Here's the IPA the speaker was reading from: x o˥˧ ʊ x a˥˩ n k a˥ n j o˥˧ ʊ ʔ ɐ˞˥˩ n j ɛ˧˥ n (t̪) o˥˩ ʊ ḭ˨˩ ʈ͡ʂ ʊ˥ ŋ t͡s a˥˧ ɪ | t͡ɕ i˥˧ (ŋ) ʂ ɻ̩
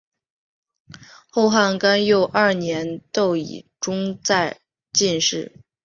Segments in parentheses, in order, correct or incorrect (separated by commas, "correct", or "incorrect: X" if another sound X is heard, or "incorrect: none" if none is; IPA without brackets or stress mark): correct, incorrect: n